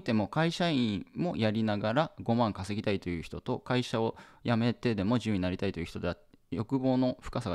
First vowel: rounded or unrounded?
unrounded